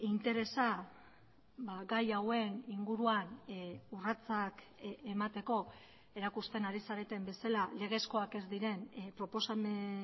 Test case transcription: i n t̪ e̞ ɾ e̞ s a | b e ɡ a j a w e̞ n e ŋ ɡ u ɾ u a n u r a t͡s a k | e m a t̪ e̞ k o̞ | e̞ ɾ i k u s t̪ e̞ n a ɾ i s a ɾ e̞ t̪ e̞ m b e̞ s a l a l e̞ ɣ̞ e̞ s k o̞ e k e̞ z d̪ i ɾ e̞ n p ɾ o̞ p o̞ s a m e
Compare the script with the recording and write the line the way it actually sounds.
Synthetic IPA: i n t̪ e̞ ɾ e̞ s a | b a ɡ a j a w e̞ n i ŋ ɡ u ɾ u a n u r a t͡s a k | e m a t̪ e̞ k o̞ | e̞ ɾ a k u s t̪ e̞ n a ɾ i s a ɾ e̞ t̪ e̞ m b e̞ s a l a l e̞ ɣ̞ e̞ s k o̞ a k e̞ z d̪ i ɾ e̞ n p ɾ o̞ p o̞ s a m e